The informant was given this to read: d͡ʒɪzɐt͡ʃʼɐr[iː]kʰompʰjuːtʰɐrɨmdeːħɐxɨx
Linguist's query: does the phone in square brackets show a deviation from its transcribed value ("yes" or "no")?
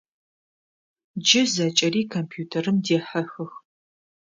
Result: no